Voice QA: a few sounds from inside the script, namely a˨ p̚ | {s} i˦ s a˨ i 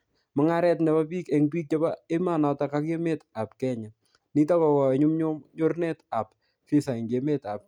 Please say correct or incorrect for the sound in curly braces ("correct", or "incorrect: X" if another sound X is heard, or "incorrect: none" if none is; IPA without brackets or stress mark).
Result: incorrect: f